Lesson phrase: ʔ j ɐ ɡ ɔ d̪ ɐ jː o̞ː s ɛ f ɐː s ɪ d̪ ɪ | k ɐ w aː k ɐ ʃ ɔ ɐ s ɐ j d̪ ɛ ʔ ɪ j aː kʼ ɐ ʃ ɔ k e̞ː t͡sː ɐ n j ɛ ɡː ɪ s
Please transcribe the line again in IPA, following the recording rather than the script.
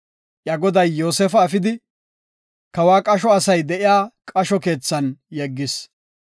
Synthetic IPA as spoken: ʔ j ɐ ɡ ɔ d̪ ɐ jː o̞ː s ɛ f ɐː f ɪ d̪ ɪ | k ɐ w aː kʼ ɐ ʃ ɔ ɐ s ɐ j d̪ ɛ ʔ ɪ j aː kʼ ɐ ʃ ɔ k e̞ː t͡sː ɐ n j ɛ ɡː ɪ s